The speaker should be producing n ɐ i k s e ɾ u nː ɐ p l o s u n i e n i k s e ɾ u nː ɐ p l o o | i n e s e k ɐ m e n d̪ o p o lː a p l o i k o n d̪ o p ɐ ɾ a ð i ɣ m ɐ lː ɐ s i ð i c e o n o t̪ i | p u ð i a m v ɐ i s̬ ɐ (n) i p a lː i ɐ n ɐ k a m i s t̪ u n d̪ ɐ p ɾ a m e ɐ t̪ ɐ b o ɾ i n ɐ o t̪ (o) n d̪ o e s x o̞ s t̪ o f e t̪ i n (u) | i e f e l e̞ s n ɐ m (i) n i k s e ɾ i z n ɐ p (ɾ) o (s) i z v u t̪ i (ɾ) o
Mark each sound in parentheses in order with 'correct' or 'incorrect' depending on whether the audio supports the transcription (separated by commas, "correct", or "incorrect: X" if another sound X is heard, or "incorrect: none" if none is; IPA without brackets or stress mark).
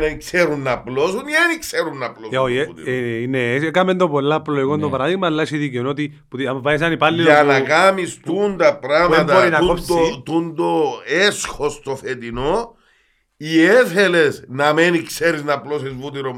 correct, incorrect: u, incorrect: o, incorrect: e, incorrect: l, correct, correct